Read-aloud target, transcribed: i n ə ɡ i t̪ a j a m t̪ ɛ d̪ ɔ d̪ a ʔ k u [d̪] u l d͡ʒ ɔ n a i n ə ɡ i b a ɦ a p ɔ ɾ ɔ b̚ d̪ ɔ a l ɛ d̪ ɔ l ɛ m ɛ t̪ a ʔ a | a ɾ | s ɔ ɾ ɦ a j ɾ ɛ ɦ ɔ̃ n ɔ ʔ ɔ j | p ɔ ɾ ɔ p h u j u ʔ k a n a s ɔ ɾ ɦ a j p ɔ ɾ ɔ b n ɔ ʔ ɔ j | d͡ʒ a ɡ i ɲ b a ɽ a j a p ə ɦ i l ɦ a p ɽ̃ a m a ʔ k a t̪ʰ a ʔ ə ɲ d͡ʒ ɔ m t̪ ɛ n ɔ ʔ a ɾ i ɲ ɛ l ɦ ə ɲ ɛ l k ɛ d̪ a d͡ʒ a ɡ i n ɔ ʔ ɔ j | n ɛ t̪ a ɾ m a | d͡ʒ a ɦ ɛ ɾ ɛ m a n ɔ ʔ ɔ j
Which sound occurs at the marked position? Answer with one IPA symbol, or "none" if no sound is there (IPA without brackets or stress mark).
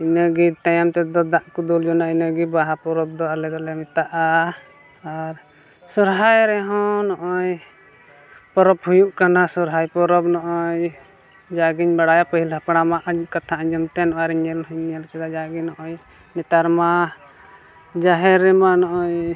d̪